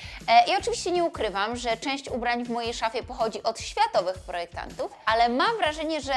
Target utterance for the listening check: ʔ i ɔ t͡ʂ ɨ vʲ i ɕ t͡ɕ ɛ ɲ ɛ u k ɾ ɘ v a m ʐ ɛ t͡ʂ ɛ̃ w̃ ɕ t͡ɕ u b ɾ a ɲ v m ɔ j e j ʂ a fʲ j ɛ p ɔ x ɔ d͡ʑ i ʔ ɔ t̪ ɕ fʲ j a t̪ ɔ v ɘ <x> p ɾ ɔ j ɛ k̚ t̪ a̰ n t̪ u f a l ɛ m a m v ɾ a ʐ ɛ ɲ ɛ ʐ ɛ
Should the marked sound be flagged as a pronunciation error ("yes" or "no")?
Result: no